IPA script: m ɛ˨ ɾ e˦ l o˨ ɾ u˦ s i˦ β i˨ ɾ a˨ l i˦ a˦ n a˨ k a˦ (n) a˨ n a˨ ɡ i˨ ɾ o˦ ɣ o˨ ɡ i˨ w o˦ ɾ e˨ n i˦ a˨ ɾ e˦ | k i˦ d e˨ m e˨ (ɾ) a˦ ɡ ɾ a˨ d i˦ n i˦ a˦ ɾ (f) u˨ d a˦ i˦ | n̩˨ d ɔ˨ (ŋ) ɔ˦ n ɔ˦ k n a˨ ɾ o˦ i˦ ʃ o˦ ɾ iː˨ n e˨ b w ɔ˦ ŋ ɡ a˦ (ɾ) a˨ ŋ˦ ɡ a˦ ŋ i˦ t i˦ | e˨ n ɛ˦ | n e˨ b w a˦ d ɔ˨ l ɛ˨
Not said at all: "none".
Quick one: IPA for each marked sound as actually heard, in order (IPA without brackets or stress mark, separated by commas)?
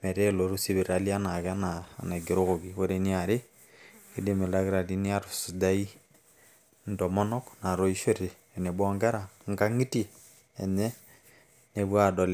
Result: n, l, s, m, ɾ